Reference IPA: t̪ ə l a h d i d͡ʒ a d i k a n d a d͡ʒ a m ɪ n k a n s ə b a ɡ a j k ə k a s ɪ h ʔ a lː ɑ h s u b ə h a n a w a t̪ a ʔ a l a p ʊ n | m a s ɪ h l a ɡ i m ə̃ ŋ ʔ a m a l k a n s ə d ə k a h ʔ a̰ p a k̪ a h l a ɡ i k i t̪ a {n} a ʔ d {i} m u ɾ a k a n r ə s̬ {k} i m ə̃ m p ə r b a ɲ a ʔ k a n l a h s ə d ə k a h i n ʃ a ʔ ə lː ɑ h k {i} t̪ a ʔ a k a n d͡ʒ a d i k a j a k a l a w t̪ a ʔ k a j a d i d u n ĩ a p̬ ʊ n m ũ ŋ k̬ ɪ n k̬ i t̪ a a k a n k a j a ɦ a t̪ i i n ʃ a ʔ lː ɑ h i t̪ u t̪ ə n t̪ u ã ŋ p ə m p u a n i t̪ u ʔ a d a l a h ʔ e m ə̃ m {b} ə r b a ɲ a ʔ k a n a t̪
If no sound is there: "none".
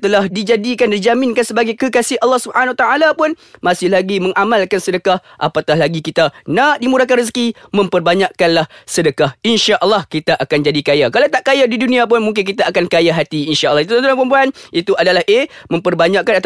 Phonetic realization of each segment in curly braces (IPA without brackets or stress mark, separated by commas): n, i, k, i, p